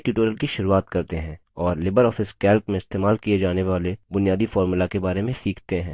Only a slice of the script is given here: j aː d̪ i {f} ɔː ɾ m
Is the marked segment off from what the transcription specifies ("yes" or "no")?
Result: no